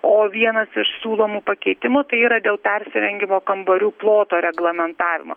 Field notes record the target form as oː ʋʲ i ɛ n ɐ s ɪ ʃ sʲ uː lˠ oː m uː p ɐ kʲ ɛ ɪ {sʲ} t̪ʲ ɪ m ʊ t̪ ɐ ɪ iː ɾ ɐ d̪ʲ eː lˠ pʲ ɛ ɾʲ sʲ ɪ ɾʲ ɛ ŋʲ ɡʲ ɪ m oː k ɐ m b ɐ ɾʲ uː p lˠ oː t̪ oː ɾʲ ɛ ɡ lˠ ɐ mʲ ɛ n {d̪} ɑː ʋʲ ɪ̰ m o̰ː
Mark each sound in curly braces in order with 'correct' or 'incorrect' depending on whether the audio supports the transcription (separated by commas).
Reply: incorrect, incorrect